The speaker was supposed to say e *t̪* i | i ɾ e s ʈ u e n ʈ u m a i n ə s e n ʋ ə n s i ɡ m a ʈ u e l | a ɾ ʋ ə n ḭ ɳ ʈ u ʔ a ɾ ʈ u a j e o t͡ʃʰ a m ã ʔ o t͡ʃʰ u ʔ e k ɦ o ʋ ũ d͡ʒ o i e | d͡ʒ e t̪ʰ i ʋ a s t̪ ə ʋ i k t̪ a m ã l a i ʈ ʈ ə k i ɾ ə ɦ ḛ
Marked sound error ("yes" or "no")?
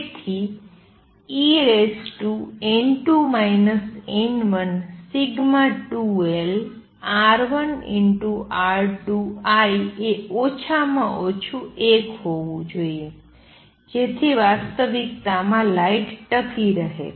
yes